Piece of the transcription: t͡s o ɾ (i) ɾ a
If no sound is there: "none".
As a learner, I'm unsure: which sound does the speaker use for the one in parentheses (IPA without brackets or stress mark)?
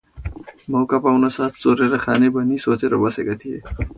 e